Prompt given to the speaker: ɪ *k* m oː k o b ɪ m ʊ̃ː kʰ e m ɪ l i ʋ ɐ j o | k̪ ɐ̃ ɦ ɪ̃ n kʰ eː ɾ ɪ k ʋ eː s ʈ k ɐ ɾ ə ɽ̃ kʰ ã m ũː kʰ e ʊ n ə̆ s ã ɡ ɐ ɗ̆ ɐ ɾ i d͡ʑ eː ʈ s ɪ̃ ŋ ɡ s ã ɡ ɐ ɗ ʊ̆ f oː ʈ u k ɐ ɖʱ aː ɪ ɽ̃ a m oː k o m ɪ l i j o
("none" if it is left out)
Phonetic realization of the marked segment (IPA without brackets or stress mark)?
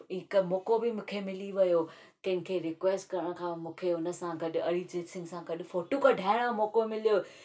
k